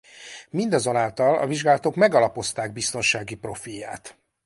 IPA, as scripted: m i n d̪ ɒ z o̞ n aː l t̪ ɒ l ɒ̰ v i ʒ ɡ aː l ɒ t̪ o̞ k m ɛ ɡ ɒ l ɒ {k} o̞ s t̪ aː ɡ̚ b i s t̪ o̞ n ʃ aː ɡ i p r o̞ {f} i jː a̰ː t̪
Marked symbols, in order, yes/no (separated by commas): no, yes